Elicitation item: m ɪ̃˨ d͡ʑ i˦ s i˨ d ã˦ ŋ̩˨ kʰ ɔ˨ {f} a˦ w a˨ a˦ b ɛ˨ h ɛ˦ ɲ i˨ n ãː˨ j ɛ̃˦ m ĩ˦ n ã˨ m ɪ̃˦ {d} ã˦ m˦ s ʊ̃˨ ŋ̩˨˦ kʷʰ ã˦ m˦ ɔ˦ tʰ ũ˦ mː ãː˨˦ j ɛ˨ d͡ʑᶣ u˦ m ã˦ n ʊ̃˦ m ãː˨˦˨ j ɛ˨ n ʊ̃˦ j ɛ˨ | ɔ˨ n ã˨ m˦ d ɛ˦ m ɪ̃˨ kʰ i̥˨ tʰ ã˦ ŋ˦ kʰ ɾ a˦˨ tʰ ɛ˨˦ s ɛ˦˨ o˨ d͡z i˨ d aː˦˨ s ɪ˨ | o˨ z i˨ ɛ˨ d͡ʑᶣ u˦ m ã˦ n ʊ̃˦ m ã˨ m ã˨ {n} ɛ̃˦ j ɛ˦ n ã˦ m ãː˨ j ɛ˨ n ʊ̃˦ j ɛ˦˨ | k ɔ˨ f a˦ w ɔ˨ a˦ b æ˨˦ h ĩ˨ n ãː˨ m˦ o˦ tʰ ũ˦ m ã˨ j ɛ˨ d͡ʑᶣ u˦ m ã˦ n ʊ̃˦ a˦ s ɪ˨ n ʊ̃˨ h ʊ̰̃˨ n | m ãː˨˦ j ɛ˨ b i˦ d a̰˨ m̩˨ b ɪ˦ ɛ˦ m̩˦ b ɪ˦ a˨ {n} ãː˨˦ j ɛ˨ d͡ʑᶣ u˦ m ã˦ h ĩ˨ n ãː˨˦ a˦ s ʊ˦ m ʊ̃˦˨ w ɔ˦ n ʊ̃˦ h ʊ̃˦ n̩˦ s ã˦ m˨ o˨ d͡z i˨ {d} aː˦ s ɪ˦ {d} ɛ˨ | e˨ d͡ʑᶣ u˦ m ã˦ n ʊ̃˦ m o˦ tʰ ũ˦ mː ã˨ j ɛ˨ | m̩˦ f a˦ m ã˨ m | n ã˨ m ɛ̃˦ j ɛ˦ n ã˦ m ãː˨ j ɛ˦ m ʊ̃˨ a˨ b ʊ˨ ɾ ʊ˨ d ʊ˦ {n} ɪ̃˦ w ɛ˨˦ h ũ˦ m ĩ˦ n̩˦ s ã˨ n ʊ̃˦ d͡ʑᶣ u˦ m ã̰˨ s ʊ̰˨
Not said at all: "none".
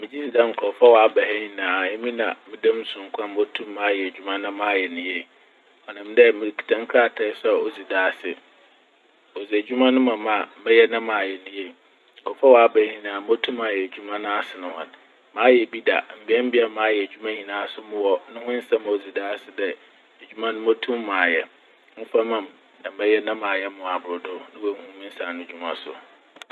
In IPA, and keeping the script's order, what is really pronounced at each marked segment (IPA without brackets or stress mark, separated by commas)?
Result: f, d, m, m, d, d, n